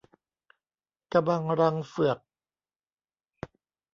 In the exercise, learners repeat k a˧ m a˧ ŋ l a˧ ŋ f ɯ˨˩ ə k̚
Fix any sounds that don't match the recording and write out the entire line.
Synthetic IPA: k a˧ b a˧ ŋ ɾ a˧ ŋ f ɯ˨˩ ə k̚